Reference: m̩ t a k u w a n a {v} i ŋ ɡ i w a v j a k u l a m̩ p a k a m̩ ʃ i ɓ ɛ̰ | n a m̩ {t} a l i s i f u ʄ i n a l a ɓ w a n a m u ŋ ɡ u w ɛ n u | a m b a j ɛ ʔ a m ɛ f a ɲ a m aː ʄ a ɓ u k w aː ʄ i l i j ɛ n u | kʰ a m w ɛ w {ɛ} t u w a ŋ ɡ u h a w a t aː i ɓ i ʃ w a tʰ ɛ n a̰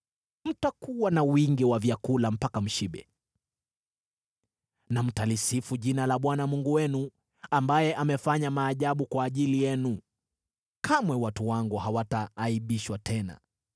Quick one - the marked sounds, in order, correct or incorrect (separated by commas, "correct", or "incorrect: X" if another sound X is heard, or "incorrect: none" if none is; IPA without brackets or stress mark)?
incorrect: w, correct, incorrect: a